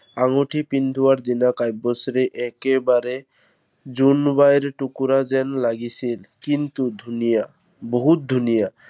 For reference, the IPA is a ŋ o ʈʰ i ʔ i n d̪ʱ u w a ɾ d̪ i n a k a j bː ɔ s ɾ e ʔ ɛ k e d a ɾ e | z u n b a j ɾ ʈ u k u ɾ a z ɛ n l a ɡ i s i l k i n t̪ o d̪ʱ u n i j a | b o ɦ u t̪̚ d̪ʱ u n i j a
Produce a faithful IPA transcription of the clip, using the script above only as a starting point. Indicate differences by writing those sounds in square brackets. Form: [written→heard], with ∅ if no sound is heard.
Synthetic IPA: a ŋ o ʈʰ i [ʔ→p] i n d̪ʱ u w a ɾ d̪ i n a k a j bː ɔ s ɾ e ʔ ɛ k e [d→b] a ɾ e | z u n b a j ɾ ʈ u k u ɾ a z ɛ n l a ɡ i s i l k i n t̪ [o→u] d̪ʱ u n i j a | b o ɦ u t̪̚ d̪ʱ u n i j a

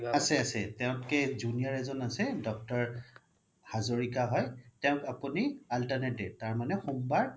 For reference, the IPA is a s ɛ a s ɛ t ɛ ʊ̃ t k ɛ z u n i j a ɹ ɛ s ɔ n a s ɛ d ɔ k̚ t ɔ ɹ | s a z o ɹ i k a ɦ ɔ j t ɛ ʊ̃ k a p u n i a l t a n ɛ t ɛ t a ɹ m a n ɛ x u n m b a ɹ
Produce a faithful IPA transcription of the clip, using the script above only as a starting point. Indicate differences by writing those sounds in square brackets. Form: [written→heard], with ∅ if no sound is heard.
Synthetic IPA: a s ɛ a s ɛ t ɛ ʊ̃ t k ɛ z u n i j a ɹ ɛ [s→z] ɔ n a s ɛ d ɔ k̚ t ɔ ɹ | [s→h] a z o ɹ i k a ɦ ɔ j t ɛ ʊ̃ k a p u n i a l t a n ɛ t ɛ t a ɹ m a n ɛ x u [n→∅] m b a ɹ

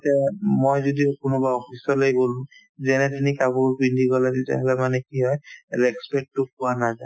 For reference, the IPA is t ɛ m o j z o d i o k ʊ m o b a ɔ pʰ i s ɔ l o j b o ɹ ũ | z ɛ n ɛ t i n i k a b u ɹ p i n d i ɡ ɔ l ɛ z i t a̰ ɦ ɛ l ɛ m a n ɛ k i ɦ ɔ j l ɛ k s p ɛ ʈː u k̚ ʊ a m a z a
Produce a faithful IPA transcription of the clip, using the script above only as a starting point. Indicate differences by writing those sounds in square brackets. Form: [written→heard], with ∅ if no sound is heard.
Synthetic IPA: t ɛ m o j z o d i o k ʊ [m→n] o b a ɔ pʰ i s ɔ l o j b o [ɹ→l] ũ | z ɛ n ɛ t i n i k a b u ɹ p i n d i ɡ ɔ l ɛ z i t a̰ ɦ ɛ l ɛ m a n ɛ k i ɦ ɔ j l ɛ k s p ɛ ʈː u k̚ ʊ a [m→n] a z a

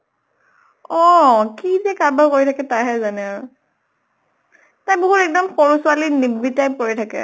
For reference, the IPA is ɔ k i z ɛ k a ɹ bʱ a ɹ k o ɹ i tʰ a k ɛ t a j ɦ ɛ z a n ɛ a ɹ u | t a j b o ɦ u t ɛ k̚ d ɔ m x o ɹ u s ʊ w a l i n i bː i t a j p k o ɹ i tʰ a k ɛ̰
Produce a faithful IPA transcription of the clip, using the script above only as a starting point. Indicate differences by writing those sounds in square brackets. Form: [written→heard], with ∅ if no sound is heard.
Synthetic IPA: ɔ k i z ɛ k a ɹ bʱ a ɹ k o ɹ i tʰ a k ɛ t a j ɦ ɛ z a n ɛ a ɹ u | t a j b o ɦ u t ɛ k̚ d ɔ m x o ɹ u s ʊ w a l i n i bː i t a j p k o ɹ i tʰ a k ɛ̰

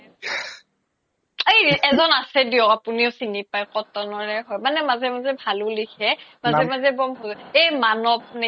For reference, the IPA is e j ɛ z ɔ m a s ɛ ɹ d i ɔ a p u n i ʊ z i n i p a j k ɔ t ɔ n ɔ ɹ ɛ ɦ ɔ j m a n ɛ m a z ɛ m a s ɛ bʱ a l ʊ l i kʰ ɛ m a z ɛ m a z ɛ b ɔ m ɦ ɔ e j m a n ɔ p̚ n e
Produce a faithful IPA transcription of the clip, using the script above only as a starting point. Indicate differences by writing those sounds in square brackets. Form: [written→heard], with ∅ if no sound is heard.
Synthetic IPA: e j ɛ z ɔ [m→n] a s ɛ [ɹ→∅] d i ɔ a p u n i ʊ [z→s] i n i p a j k ɔ t ɔ n ɔ ɹ ɛ ɦ ɔ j m a n ɛ m a z ɛ m a [s→z] ɛ bʱ a l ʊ l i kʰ ɛ m a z ɛ m a z ɛ b ɔ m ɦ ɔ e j m a n ɔ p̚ n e

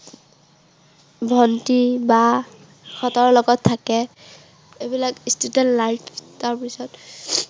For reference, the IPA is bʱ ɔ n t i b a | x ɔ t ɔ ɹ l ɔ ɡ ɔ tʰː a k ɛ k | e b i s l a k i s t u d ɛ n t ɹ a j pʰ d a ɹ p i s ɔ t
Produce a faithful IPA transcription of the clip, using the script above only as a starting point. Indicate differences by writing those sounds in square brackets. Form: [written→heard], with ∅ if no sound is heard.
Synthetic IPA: bʱ ɔ n t i b a | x ɔ t ɔ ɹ l ɔ ɡ ɔ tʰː a k ɛ [k→∅] | e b i [s→∅] l a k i s t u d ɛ n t [ɹ→l] a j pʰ [d→t] a ɹ p i s ɔ t

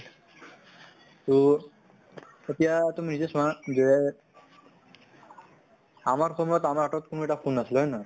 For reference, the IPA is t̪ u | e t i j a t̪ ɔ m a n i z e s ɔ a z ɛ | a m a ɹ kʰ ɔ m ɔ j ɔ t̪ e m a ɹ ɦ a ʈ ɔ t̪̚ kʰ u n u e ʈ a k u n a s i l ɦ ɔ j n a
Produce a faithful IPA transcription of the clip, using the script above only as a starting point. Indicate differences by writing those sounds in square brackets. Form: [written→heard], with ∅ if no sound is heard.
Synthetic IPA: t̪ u | e t i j a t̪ [ɔ→u] m [a→i] n i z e s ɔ a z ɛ | a m a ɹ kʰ ɔ m ɔ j ɔ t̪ [e→a] m a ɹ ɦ a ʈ ɔ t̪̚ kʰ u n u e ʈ a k u n a s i l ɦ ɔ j n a

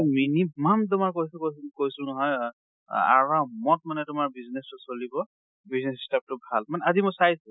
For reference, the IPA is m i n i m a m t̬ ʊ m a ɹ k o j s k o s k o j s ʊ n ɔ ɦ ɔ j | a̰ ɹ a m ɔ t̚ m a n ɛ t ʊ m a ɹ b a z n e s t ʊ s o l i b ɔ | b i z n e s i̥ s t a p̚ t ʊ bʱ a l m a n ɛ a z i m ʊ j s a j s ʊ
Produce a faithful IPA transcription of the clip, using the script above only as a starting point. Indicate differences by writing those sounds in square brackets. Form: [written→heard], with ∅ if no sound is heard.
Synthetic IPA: m i n i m a m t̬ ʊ m a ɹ k o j s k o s k o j s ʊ n ɔ ɦ ɔ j | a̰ ɹ a m ɔ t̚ m a n ɛ t ʊ m a ɹ b [a→i] z n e s t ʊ s o l i b ɔ | b i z n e s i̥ s t a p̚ t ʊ bʱ a l m a n ɛ a z i m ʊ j s a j s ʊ

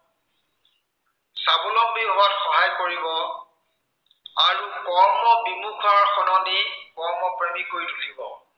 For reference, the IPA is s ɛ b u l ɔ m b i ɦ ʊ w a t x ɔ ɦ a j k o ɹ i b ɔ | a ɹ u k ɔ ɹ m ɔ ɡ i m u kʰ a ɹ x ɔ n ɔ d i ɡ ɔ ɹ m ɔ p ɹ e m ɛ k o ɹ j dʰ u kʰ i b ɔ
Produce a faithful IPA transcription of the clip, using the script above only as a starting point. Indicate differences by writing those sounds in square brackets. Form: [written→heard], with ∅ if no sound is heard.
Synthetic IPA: s [ɛ→a] b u l ɔ m b i ɦ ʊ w a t x ɔ ɦ a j k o ɹ i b ɔ | a ɹ u k ɔ ɹ m ɔ [ɡ→b] i m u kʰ a ɹ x ɔ n ɔ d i [ɡ→k] ɔ ɹ m ɔ p ɹ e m [ɛ→i] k o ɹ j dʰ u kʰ i b ɔ

